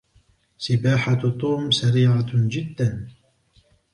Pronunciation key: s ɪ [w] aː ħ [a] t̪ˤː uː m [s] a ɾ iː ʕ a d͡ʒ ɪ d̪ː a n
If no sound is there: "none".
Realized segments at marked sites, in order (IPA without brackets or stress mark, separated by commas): b, a, s